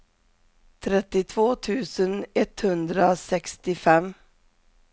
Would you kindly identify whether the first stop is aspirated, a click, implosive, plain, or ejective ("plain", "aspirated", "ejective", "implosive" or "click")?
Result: aspirated